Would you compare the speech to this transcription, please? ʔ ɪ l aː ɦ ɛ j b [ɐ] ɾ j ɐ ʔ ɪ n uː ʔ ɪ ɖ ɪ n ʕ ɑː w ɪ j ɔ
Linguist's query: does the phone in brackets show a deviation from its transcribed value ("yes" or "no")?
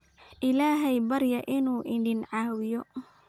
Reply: no